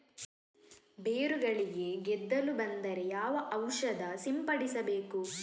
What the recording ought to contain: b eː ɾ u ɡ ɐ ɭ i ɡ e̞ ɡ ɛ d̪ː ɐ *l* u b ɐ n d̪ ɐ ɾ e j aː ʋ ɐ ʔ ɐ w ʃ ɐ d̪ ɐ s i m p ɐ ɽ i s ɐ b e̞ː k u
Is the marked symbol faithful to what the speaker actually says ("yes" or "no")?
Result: yes